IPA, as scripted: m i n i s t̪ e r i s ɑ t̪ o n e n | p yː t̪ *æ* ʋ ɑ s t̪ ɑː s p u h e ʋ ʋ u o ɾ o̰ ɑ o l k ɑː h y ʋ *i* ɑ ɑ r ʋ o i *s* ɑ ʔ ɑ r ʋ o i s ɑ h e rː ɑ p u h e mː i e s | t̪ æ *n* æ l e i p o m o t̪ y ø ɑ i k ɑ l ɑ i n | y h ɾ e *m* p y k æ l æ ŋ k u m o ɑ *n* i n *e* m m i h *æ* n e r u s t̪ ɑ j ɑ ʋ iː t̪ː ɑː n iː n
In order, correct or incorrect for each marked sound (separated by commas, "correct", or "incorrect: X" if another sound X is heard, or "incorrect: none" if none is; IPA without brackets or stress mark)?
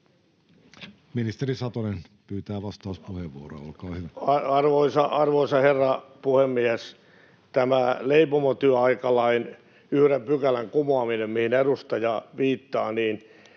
incorrect: æː, incorrect: æ, correct, incorrect: m, correct, incorrect: m, correct, incorrect: i